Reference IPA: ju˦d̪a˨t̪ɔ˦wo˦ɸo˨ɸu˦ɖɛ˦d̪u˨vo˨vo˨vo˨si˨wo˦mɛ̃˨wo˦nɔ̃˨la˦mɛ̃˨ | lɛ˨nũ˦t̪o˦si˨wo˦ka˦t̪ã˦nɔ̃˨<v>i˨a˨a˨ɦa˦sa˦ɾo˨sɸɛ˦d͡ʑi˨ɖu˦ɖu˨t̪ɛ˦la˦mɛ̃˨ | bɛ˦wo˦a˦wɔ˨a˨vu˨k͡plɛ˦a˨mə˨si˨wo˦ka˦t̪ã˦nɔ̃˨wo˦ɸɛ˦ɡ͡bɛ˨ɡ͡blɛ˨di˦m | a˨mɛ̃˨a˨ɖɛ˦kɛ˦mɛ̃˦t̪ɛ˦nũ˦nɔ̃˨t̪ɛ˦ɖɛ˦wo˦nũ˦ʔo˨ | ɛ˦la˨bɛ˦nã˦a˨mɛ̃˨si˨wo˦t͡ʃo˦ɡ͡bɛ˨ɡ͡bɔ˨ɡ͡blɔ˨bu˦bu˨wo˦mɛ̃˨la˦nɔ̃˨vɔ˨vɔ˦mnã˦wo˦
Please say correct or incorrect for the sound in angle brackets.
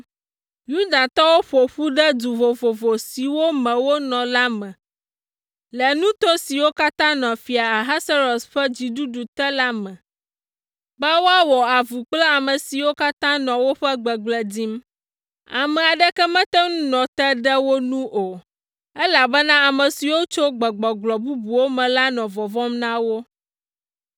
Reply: incorrect: f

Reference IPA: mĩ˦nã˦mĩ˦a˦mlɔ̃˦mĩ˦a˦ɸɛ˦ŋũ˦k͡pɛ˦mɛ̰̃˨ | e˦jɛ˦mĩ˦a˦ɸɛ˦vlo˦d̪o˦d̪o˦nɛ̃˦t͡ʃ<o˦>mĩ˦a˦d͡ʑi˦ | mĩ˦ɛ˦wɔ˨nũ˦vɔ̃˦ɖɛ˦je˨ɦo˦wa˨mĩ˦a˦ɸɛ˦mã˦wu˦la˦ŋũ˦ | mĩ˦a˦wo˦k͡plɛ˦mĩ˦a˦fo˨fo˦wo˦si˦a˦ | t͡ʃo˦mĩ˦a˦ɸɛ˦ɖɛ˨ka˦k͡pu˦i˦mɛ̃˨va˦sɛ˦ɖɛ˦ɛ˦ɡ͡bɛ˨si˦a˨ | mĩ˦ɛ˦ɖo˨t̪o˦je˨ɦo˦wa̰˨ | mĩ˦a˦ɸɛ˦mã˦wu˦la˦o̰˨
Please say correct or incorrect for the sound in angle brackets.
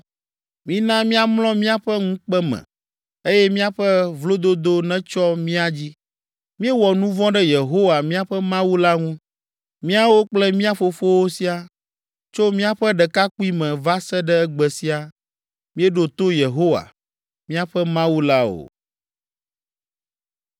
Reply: incorrect: ɔ˦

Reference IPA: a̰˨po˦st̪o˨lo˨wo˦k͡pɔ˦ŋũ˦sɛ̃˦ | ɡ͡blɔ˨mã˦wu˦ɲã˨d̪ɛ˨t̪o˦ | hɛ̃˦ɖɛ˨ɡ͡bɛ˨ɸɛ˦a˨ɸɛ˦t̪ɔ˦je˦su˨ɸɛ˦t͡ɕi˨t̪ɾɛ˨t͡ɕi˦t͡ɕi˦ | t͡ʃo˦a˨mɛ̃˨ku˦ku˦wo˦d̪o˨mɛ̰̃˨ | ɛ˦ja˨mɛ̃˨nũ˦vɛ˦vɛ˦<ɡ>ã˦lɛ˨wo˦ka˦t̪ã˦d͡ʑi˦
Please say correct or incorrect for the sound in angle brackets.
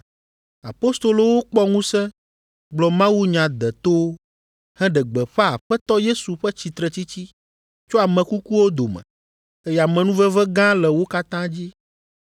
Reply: correct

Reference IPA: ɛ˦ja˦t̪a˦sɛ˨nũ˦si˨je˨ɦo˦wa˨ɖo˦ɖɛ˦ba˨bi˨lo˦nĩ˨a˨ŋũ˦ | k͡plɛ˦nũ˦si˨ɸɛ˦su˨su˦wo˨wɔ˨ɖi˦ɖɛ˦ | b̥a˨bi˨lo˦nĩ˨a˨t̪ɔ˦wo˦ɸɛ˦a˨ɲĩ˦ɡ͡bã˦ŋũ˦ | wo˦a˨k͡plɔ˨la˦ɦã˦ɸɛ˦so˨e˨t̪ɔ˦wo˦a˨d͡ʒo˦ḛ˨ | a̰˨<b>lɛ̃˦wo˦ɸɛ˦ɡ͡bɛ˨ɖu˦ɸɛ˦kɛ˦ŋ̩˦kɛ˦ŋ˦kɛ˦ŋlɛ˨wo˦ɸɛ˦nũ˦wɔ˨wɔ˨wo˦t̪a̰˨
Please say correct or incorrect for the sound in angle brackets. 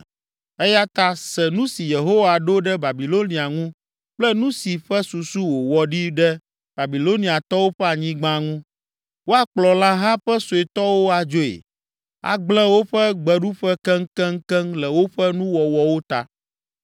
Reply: incorrect: ɡ͡b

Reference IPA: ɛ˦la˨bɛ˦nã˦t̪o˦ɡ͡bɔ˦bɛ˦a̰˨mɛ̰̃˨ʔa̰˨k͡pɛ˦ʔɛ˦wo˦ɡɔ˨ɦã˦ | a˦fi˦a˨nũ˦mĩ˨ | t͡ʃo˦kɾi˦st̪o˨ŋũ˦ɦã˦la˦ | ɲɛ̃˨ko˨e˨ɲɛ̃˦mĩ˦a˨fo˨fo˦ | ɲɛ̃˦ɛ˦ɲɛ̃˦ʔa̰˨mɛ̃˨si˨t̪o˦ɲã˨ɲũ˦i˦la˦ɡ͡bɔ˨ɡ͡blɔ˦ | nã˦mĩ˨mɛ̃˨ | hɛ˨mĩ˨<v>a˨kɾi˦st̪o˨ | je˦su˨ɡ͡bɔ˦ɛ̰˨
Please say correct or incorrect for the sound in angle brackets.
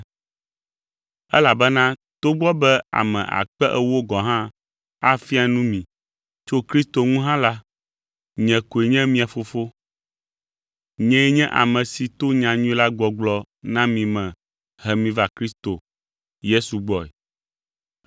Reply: correct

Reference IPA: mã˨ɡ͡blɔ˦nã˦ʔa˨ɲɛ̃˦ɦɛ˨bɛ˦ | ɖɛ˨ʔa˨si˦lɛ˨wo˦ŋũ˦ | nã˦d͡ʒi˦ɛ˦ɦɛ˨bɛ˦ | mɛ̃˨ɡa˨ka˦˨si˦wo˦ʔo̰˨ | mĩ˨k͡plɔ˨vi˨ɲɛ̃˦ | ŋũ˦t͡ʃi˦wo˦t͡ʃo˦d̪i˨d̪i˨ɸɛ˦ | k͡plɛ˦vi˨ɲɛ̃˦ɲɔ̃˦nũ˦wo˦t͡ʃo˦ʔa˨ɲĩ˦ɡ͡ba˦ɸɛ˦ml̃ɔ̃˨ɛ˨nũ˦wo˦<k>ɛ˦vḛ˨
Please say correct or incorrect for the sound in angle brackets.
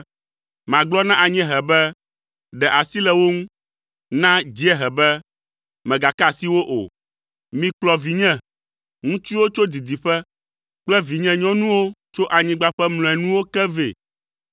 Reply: correct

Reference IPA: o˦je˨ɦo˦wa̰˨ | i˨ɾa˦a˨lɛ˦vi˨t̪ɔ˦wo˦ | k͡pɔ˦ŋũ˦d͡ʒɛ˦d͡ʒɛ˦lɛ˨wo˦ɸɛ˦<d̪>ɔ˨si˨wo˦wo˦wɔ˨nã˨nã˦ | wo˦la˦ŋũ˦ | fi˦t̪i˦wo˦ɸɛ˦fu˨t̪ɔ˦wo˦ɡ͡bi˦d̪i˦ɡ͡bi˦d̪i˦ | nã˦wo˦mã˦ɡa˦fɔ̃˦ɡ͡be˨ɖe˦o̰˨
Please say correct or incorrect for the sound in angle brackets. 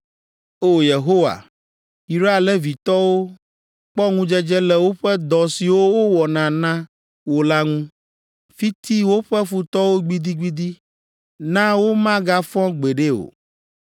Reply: correct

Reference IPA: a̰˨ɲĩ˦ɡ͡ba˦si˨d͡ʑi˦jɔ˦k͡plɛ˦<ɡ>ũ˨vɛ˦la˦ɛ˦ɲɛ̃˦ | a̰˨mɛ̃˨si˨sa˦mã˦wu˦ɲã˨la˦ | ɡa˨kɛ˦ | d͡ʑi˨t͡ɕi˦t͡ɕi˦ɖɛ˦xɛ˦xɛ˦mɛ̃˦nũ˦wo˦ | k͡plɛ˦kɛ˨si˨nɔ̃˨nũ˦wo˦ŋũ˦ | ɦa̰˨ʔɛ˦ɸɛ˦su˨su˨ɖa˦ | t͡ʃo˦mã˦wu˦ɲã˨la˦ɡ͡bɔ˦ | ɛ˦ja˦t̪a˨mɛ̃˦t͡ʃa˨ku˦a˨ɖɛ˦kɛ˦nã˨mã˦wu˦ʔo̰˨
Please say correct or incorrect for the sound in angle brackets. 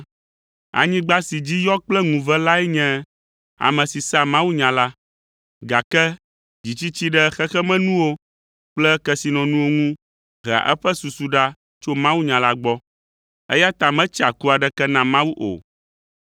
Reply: incorrect: ŋ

